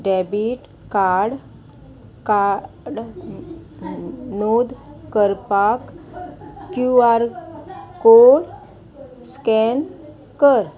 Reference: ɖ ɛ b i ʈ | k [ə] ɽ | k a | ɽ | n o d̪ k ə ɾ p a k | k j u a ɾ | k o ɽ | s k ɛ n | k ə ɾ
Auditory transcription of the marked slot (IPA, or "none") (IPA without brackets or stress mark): a